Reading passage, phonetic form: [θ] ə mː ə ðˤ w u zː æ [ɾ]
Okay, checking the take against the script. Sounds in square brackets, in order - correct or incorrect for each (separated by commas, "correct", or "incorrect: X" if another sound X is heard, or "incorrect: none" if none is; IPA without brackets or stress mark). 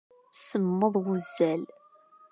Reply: incorrect: s, incorrect: l